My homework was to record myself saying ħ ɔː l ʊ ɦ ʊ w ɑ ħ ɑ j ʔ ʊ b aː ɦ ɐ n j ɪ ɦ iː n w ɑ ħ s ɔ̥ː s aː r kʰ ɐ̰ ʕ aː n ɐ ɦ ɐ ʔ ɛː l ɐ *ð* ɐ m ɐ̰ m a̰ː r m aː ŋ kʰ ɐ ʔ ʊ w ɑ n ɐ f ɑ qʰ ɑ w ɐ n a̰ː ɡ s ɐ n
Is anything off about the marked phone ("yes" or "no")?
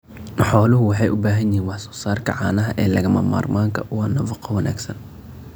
yes